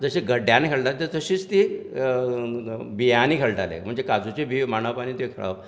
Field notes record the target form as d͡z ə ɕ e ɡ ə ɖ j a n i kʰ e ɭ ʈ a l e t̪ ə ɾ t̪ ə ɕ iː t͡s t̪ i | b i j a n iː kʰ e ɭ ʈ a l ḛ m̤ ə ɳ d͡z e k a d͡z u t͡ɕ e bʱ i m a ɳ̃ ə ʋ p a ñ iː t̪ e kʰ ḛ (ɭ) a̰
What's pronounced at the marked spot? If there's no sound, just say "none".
ɭ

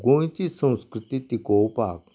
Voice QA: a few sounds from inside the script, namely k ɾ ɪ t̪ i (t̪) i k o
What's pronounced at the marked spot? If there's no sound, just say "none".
t̪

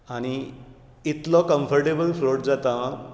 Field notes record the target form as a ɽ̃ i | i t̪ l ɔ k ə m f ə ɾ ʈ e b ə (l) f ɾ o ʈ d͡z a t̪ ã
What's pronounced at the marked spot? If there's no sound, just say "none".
l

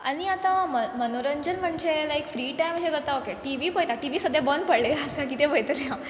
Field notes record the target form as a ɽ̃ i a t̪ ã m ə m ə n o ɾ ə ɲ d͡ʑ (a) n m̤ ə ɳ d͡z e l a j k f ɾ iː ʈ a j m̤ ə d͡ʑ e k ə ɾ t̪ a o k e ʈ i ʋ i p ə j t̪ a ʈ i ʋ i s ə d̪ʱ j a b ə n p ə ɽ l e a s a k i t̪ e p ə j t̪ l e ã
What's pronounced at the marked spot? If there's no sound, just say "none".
ə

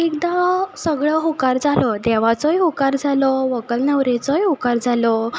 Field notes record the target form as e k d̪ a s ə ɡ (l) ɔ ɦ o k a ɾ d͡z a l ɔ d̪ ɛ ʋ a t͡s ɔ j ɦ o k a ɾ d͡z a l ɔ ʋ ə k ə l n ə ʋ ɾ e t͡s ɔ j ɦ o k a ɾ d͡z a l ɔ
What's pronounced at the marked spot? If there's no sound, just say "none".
ɭ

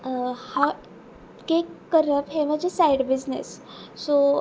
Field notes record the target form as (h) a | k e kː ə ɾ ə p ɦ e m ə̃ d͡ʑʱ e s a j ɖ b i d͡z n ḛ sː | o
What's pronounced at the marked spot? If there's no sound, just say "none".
h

